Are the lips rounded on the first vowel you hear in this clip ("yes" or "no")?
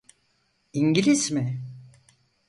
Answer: no